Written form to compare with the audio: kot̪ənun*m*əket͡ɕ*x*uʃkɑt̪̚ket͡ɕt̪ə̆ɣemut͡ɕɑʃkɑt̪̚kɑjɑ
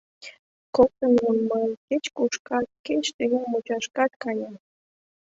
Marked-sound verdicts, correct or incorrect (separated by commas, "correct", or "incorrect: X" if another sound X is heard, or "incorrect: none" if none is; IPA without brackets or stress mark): correct, incorrect: k